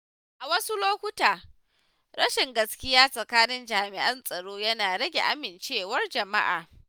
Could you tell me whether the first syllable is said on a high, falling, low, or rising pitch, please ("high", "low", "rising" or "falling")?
low